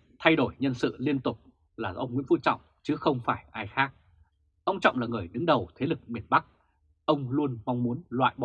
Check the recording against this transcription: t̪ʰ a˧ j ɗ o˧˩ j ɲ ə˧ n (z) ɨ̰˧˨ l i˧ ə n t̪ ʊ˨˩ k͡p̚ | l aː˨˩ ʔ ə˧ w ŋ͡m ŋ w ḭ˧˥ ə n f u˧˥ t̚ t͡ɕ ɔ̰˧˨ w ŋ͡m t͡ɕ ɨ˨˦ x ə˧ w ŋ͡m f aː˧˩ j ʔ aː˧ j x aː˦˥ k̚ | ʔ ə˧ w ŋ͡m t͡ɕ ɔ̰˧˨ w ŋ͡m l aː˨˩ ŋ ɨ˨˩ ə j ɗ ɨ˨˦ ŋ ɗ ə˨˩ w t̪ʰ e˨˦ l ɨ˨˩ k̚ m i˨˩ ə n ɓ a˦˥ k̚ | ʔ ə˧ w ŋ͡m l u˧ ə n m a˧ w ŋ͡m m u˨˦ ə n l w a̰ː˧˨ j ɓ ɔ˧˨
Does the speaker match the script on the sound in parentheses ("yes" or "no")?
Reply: no